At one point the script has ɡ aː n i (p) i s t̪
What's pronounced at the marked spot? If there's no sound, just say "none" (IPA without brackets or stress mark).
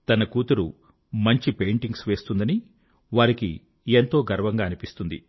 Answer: p